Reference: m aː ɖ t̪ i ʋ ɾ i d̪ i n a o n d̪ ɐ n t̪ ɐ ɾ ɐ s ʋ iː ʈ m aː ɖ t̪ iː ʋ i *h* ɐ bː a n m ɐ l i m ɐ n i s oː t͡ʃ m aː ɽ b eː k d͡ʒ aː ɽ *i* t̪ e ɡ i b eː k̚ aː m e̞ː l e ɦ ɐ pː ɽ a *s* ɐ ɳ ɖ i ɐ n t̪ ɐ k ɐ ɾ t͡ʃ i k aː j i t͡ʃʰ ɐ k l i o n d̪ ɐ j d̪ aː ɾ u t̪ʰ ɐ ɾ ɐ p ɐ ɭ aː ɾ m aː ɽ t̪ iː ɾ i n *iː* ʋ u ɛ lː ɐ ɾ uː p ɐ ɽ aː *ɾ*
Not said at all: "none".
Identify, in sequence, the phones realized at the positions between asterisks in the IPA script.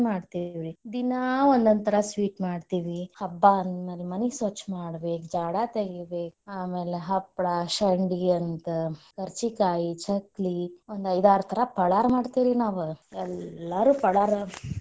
h, a, ʃ, aː, ɾ

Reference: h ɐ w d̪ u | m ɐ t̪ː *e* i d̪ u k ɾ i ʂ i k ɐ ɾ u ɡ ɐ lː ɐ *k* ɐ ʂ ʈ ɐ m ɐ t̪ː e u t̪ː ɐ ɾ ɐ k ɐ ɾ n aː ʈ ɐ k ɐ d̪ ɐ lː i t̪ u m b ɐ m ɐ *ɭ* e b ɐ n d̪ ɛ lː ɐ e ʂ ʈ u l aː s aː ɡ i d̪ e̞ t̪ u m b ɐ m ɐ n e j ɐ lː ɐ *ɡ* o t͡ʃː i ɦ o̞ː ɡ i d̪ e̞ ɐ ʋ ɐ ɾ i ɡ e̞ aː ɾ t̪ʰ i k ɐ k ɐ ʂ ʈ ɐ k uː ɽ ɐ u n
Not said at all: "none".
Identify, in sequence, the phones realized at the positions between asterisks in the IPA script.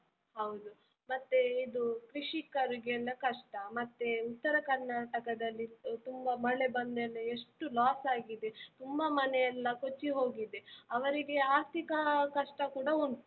e, k, ɭ, k

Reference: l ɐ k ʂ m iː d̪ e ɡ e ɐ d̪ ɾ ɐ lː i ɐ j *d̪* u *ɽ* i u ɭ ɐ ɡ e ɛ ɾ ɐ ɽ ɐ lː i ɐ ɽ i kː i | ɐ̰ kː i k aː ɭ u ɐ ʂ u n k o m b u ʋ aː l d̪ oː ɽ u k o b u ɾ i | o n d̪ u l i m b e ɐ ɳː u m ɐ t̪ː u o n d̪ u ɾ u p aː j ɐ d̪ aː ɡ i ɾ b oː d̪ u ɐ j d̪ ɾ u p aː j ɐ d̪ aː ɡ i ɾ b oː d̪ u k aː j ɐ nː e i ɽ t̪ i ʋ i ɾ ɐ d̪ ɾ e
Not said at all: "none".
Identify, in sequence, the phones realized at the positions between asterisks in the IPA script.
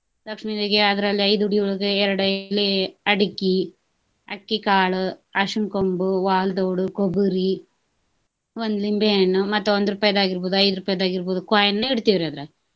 d̪, ɽ

